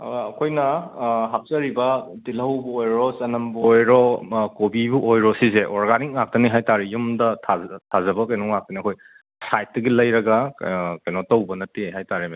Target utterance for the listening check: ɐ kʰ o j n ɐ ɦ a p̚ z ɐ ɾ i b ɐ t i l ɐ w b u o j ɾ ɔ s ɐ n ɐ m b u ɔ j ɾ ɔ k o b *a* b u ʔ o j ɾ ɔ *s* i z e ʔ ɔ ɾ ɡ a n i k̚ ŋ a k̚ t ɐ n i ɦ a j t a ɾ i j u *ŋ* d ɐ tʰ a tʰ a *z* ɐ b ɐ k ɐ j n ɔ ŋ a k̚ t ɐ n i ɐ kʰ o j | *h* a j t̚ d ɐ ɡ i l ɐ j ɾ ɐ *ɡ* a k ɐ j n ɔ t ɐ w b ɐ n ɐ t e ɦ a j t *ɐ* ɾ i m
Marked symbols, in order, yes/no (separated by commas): no, yes, no, yes, no, yes, no